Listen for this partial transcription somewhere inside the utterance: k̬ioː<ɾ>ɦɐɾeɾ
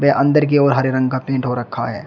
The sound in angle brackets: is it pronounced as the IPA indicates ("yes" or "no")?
yes